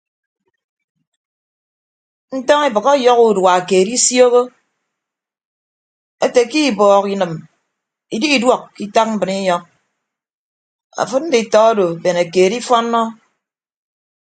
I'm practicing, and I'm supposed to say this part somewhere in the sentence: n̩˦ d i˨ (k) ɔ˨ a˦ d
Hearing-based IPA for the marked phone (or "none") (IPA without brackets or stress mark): t